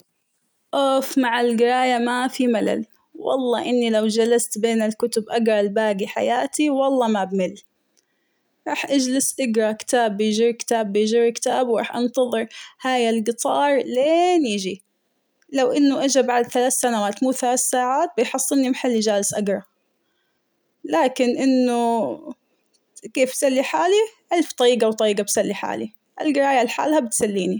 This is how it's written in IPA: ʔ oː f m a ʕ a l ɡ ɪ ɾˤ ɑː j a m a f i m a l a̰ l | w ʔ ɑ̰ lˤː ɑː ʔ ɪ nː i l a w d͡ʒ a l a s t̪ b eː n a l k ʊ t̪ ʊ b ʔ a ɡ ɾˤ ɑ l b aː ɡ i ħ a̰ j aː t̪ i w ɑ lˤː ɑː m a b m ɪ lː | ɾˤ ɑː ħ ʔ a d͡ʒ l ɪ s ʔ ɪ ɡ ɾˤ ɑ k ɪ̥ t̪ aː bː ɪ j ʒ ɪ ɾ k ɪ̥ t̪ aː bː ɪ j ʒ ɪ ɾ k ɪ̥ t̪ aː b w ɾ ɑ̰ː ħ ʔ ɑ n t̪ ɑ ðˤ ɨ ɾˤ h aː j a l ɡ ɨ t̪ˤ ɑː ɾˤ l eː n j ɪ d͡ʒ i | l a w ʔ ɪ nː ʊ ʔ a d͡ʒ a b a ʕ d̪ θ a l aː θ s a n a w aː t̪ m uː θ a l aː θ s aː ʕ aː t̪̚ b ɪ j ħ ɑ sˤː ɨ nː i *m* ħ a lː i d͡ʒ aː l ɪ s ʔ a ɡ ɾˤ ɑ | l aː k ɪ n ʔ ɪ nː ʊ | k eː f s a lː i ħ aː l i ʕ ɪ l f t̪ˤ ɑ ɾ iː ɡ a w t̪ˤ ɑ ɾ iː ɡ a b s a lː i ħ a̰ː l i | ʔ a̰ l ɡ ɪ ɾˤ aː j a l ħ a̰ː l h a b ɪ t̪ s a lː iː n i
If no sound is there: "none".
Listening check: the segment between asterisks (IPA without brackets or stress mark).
m